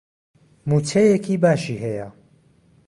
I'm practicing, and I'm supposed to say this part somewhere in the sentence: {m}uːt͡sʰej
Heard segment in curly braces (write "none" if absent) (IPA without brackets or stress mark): m